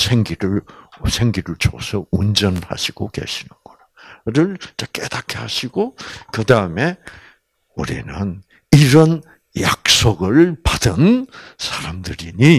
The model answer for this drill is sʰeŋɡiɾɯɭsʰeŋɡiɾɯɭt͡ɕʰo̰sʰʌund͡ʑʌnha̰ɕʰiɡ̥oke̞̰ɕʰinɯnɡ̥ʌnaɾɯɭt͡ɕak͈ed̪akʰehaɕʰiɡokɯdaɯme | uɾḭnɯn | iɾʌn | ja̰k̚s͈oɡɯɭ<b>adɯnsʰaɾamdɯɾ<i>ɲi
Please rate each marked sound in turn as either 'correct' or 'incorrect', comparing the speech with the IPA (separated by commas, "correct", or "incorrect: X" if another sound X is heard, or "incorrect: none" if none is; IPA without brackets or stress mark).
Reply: incorrect: p, correct